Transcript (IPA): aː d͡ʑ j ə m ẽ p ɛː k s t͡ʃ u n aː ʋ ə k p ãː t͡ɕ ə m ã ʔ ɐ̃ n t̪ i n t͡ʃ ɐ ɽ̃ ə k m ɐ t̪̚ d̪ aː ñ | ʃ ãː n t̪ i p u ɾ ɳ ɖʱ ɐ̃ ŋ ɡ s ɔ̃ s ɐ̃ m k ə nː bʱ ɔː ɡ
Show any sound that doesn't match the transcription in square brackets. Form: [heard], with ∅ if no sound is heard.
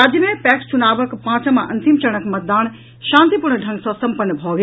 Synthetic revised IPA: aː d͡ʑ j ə m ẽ p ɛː k s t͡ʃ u n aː ʋ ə k p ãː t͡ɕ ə m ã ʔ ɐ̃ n t̪ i [m] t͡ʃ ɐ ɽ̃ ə k m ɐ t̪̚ d̪ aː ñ | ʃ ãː n t̪ i p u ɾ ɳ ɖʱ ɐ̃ ŋ ɡ s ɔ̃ s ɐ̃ m [p] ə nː bʱ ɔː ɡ